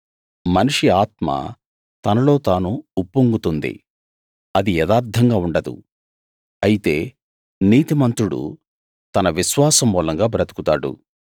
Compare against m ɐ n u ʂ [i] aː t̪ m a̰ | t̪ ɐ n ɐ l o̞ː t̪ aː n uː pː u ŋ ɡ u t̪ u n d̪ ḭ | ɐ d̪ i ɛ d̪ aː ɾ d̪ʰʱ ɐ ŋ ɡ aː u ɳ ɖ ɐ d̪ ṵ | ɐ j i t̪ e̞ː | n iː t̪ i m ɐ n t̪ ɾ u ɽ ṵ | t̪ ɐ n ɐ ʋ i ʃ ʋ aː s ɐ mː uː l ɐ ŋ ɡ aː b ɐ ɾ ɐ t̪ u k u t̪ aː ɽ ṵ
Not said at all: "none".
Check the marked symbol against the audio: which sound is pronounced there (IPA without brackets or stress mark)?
i